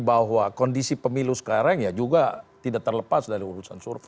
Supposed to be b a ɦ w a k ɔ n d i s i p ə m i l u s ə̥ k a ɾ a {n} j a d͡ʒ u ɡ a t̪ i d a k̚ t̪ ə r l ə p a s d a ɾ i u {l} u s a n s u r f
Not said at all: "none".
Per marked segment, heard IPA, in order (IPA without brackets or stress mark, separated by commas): ŋ, ɾ